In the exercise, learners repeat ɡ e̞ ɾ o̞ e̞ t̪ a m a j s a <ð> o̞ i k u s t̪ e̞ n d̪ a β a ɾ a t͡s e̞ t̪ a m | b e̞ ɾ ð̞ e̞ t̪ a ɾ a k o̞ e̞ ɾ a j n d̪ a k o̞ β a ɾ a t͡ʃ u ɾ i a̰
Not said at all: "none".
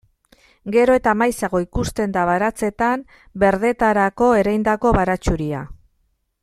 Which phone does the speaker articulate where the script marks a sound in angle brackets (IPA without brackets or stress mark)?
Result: ɣ